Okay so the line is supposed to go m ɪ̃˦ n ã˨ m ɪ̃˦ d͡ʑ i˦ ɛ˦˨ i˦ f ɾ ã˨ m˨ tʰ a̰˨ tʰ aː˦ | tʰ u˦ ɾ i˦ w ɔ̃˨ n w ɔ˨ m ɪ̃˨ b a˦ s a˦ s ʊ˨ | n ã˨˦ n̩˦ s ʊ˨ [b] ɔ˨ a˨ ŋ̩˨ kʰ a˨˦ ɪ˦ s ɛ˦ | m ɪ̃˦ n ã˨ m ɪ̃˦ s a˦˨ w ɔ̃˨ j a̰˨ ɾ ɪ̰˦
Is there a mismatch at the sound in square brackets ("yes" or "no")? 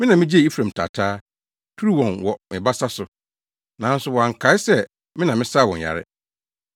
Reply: yes